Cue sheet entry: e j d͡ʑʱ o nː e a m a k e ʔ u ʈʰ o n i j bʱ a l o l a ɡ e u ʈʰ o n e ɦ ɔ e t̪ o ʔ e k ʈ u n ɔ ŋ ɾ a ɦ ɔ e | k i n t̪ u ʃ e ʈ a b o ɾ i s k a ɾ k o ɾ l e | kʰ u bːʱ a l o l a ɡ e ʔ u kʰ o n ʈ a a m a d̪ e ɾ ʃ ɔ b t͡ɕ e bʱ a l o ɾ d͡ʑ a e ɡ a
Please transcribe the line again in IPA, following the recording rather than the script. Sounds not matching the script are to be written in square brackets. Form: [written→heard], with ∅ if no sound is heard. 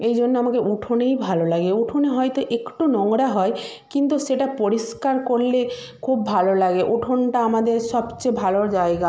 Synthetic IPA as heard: e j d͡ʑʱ o nː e a m a k e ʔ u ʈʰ o n [i→e] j bʱ a l o l a ɡ e u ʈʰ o n e ɦ ɔ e t̪ o ʔ e k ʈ u n ɔ ŋ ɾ a ɦ ɔ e | k i n t̪ u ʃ e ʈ a [b→p] o ɾ i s k a ɾ k o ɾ l e | kʰ u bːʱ a l o l a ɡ e ʔ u [kʰ→ʈʰ] o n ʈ a a m a d̪ e ɾ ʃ ɔ b t͡ɕ e bʱ a l o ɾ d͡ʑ a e ɡ a